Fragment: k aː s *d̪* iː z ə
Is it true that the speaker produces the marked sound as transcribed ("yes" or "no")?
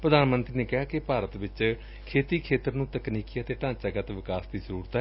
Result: yes